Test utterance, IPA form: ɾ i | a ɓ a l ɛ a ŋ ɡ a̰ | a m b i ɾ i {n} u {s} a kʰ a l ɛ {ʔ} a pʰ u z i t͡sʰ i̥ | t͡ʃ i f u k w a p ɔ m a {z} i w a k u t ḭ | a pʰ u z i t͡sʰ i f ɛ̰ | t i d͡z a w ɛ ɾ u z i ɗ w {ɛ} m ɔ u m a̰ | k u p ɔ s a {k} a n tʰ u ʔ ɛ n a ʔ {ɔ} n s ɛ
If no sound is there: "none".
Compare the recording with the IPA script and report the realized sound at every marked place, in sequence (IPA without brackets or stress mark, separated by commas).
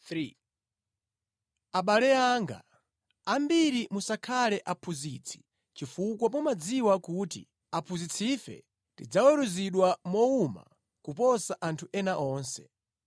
m, s, ʔ, d͡z, a, ʔ, ɔː